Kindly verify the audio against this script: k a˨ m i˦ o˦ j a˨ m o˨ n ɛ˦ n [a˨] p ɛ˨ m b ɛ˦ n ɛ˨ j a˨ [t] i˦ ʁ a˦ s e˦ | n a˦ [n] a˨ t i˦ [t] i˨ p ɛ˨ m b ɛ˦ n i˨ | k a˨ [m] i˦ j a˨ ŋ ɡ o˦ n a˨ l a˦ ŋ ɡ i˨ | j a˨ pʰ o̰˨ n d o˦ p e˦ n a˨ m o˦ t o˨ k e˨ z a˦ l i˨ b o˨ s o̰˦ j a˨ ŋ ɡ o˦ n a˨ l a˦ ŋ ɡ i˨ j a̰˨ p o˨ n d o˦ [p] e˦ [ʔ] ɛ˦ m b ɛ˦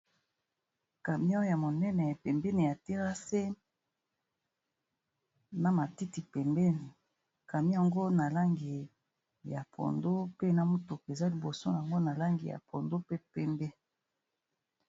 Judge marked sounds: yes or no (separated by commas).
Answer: no, yes, no, yes, yes, yes, no